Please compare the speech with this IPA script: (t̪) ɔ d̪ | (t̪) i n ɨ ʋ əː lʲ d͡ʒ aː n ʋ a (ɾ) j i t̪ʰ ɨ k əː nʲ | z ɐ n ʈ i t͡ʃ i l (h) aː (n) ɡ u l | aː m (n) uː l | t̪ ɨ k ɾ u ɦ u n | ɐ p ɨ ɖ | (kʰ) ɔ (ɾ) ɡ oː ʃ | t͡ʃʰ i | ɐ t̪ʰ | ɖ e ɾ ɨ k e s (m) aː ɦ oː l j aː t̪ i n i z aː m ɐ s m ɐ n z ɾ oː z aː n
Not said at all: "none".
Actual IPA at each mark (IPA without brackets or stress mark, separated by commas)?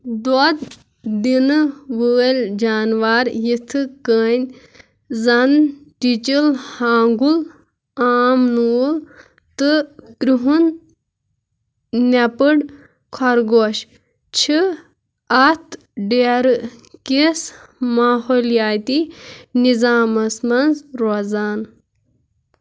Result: d̪, d̪, ɾ, h, ŋ, n, kʰ, ɾ, m